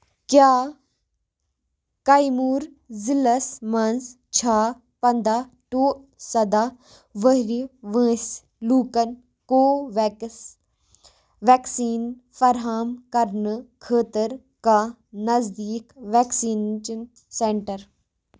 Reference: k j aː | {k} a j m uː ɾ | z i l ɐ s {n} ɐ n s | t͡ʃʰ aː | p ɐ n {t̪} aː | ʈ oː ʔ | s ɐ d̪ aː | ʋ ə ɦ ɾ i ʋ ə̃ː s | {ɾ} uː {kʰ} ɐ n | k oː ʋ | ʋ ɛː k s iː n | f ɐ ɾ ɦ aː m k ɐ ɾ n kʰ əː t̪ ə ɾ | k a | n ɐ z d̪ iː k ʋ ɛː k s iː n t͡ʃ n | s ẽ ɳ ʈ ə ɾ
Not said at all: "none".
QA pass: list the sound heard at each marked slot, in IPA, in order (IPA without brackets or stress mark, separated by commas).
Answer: k, m, d̪, l, k